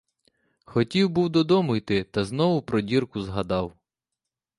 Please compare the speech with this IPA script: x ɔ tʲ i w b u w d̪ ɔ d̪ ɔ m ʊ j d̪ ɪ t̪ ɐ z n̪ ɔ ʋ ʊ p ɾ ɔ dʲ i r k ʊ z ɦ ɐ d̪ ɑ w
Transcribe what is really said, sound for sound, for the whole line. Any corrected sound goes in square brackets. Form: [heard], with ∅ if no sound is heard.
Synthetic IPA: x ɔ tʲ i w b u w d̪ ɔ d̪ ɔ m ʊ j [t̪] ɪ t̪ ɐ z n̪ ɔ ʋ ʊ p ɾ ɔ dʲ i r k ʊ z ɦ ɐ d̪ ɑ w